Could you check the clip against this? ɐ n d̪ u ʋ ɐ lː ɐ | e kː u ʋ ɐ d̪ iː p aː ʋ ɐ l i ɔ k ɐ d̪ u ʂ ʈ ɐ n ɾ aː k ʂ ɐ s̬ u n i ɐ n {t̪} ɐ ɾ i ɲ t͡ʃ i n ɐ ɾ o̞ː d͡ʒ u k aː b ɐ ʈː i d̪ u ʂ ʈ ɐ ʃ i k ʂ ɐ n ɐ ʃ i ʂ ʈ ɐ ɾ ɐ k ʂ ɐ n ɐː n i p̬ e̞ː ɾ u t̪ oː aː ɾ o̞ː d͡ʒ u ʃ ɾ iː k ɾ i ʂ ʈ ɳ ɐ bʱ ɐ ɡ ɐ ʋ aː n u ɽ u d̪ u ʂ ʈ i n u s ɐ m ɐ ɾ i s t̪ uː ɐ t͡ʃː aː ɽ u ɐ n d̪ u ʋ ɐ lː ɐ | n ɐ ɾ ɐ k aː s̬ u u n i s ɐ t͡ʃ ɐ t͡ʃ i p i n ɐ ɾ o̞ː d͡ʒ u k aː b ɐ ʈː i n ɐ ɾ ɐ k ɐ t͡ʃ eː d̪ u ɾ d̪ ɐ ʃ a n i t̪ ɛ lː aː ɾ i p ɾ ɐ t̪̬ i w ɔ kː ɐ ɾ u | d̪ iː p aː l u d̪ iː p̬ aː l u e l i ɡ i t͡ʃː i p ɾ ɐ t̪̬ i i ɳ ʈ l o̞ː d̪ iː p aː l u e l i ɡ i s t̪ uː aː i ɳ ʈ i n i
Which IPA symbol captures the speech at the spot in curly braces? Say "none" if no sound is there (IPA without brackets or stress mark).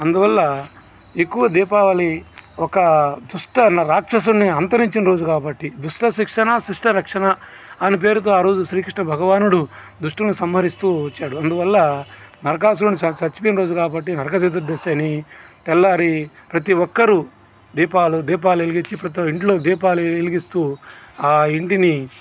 t̪